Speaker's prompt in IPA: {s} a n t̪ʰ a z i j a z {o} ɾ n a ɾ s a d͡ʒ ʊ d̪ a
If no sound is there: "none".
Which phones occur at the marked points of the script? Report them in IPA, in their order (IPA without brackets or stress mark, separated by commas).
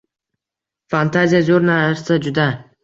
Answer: f, o